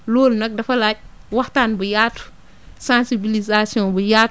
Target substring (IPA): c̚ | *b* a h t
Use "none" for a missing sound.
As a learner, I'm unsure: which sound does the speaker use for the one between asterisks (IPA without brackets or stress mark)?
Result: w